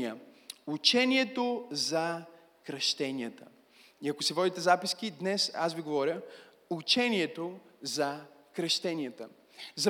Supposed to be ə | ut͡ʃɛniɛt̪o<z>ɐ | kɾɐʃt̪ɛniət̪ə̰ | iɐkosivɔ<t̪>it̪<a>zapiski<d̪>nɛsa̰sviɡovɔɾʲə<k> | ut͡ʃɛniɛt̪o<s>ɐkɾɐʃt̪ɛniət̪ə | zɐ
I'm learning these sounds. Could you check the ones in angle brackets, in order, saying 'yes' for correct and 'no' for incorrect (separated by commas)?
yes, no, no, yes, no, no